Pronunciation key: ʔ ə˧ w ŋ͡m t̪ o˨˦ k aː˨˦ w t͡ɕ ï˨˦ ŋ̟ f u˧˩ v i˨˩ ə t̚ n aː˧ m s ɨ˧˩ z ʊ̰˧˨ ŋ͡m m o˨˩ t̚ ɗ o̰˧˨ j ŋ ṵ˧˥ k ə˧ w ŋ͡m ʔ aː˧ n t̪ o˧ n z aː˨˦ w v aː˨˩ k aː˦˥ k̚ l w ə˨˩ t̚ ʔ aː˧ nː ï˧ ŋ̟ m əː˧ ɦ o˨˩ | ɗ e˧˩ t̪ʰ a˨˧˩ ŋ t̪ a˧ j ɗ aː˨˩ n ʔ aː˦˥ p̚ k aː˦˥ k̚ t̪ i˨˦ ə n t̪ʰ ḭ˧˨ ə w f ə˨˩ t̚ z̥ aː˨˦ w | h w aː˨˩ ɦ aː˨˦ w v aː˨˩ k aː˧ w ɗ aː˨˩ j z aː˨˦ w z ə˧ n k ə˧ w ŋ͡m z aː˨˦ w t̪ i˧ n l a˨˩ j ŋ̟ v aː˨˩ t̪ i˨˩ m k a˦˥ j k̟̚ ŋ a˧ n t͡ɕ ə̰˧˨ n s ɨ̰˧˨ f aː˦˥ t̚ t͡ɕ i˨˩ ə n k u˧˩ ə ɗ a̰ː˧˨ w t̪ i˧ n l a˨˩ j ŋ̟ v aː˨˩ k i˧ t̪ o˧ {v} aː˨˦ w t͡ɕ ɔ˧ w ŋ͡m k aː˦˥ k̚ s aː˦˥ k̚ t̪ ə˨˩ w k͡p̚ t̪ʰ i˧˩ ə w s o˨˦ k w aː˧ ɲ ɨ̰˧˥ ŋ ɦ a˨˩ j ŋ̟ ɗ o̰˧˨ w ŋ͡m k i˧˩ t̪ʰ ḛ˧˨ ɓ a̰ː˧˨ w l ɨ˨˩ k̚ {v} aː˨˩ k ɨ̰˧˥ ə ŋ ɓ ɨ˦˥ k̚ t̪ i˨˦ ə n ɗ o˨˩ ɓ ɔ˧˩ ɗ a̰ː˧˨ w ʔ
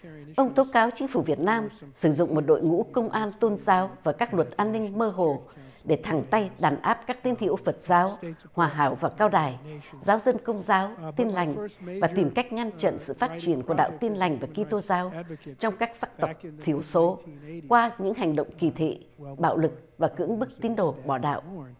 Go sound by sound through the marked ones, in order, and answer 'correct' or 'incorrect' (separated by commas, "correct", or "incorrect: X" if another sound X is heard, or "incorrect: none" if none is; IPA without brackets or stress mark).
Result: incorrect: z, correct